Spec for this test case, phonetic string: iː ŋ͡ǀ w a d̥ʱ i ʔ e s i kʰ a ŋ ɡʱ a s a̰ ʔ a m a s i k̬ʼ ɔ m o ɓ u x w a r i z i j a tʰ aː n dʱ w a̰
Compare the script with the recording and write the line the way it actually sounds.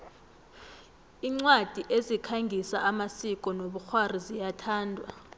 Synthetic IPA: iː ŋ͡ǀ w a d̥ʱ i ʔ e z i kʰ a ŋ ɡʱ i s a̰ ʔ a m a s i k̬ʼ ɔ n o ɓ u x w a r i z i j a tʰ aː n dʱ w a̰